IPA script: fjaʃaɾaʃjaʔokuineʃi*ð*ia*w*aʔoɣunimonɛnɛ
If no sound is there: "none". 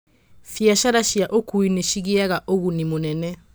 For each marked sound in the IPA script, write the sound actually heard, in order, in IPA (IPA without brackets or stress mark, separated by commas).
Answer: ɣ, ɣ